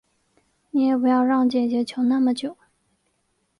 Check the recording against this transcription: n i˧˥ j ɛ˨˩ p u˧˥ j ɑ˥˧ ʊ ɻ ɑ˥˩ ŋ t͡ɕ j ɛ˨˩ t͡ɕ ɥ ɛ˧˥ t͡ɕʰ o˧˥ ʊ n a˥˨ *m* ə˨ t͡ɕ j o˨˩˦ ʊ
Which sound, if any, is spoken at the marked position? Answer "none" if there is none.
m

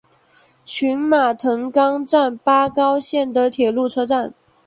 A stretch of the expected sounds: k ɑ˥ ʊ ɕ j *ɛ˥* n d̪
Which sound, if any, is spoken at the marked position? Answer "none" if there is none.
ɛ˥˩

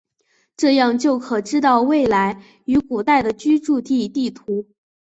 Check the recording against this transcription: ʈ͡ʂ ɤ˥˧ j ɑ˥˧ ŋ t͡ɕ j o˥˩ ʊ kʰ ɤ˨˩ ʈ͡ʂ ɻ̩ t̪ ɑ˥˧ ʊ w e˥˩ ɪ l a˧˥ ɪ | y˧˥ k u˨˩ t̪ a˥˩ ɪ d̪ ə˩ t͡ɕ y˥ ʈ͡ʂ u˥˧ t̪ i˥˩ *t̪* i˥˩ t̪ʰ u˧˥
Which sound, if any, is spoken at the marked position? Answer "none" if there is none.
t̪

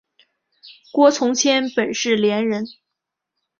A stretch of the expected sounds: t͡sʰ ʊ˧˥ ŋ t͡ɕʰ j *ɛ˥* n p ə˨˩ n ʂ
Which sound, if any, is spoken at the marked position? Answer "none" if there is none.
ɛ˥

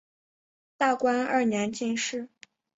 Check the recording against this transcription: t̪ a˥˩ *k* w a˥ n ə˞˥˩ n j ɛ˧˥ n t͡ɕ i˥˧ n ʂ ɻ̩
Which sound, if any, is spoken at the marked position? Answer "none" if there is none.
k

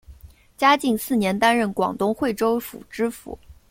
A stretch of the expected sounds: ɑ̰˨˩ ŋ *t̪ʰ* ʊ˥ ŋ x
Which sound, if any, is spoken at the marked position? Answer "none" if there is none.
t̪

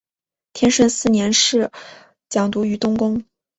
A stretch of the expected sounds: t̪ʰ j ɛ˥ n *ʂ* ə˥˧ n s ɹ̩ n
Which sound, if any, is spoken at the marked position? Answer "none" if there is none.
ʂ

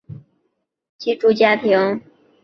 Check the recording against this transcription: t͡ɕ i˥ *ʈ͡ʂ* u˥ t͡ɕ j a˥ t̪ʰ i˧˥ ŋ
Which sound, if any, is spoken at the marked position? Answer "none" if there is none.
ʈ͡ʂ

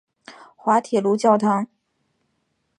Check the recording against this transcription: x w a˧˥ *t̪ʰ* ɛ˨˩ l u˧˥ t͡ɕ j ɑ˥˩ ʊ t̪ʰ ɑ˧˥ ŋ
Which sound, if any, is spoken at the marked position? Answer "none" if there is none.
t̪ʰ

